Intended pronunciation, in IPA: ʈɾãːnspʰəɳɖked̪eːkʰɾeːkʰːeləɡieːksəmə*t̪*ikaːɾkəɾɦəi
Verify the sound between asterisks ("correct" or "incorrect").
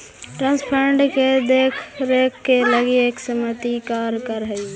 correct